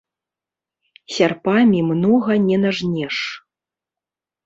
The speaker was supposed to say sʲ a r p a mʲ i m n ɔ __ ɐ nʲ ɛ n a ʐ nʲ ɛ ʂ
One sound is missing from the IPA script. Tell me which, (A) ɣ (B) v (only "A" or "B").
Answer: A